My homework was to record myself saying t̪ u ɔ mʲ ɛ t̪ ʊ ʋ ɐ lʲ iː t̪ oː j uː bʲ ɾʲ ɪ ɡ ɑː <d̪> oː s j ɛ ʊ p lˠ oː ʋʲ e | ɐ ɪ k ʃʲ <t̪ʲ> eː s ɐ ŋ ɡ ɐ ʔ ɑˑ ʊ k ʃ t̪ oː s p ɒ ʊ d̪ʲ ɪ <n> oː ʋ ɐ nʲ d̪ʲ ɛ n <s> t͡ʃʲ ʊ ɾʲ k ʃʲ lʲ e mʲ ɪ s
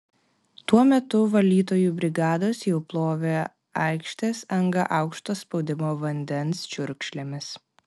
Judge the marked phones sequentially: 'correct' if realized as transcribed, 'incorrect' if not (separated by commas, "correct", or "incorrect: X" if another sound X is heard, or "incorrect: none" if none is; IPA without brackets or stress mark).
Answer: correct, correct, incorrect: m, correct